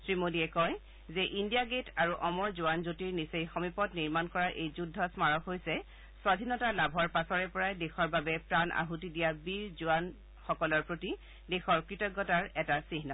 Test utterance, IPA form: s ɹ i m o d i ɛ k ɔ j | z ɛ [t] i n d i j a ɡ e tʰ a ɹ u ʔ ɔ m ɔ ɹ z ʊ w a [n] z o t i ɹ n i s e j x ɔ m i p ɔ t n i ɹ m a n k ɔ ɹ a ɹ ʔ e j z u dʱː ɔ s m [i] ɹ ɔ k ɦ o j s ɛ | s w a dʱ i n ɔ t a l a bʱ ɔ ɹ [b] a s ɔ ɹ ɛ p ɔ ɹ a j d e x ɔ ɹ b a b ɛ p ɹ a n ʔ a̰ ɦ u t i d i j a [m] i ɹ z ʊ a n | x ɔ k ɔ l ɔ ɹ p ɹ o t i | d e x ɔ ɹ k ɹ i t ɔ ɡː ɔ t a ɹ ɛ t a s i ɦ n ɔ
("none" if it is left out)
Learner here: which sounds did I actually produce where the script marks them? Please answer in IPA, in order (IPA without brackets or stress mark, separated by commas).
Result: ʔ, n, a, p, b